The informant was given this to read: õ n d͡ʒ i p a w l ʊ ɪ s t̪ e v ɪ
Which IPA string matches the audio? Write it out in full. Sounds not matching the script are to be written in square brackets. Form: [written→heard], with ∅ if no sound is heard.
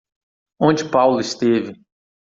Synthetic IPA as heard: õ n d͡ʒ [i→ɪ] p a w l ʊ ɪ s t̪ e v ɪ